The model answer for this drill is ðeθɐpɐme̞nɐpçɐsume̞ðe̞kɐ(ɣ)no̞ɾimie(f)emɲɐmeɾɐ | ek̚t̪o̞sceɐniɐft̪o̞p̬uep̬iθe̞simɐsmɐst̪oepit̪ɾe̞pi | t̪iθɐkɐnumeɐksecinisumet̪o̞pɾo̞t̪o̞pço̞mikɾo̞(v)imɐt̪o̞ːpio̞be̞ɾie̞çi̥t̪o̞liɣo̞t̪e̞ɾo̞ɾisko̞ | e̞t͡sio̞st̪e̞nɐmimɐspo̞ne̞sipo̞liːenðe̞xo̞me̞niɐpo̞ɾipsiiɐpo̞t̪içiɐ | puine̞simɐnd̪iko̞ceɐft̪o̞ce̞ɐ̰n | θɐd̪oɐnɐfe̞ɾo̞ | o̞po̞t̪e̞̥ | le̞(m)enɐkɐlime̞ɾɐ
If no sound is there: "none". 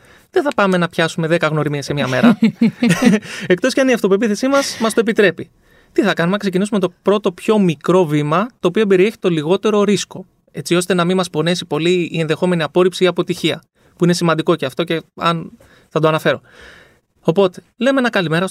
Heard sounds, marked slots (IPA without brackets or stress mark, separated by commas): ɣ, s, v, m